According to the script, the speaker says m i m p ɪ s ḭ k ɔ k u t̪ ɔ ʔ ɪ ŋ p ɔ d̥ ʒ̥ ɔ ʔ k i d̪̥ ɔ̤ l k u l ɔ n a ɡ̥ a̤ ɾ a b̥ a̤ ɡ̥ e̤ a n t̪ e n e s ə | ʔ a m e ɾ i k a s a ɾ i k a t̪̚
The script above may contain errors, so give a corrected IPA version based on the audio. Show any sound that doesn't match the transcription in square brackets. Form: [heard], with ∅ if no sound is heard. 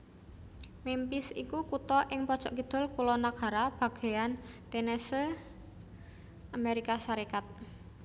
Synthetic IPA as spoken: m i m p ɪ s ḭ k [u] k u t̪ ɔ ʔ ɪ ŋ p ɔ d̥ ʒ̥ ɔ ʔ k i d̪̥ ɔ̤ l k u l ɔ n a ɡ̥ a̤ ɾ a b̥ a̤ ɡ̥ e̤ a n t̪ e n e s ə | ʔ a m e ɾ i k a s a ɾ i k a t̪̚